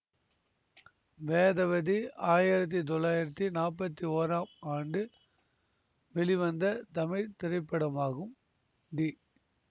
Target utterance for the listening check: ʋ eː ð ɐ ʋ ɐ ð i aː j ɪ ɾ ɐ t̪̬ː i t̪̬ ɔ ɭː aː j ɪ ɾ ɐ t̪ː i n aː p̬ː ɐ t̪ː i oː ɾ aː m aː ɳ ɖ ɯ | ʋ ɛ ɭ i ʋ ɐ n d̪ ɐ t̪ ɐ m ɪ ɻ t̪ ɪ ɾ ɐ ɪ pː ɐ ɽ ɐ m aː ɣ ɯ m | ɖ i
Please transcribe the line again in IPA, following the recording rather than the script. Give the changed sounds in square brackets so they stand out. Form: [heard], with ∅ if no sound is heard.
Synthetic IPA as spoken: ʋ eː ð ɐ ʋ ɐ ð i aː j ɪ ɾ ɐ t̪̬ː i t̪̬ ɔ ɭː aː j ɪ ɾ ɐ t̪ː i n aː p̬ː ɐ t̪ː i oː ɾ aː m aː ɳ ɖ ɯ | ʋ ɛ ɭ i ʋ ɐ n d̪ ɐ t̪ ɐ m ɪ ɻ t̪ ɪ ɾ ɐ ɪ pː ɐ ɽ ɐ m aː ɣ ɯ m | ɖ i